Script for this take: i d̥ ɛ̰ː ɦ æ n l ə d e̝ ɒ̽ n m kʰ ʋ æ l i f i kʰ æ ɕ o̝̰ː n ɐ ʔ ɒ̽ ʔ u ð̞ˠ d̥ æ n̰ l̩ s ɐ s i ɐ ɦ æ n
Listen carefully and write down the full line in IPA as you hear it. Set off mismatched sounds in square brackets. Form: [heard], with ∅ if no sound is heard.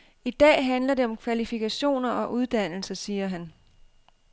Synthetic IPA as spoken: i d̥ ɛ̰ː ɦ æ n l [ɐ] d e̝ ɒ̽ [∅] m kʰ ʋ æ l i f i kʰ æ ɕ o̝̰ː n ɐ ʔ ɒ̽ ʔ u ð̞ˠ d̥ æ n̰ l̩ s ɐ s [iː] ɐ ɦ æ n